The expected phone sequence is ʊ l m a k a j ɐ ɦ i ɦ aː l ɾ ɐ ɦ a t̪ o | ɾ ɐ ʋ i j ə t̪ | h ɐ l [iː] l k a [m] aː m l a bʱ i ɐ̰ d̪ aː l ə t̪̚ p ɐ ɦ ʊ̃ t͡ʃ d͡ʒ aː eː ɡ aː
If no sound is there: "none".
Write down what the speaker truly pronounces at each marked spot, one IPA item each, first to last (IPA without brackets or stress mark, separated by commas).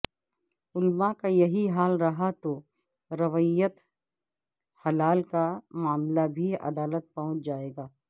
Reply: aː, m